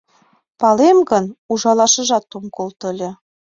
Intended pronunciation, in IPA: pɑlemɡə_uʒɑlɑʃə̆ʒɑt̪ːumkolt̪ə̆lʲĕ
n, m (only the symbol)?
n